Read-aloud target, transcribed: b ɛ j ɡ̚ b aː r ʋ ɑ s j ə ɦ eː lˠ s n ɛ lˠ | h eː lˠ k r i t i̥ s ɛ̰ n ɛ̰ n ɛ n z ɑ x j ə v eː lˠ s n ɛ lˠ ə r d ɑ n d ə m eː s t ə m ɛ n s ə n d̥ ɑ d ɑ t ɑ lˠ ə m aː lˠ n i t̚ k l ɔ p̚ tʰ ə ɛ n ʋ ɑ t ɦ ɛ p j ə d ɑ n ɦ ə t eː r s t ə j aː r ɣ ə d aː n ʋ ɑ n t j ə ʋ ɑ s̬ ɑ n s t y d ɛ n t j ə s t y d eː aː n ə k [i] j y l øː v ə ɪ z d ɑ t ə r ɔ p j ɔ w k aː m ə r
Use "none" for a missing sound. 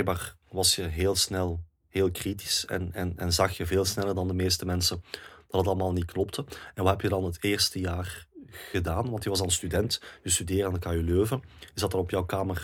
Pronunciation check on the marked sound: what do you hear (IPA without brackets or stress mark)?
a